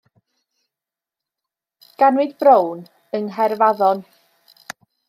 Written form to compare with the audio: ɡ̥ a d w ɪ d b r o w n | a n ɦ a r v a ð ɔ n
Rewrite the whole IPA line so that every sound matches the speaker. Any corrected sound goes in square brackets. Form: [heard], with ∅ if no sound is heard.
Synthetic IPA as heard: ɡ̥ a [n] w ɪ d b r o w n | [ə] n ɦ [ɛ] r v a ð ɔ n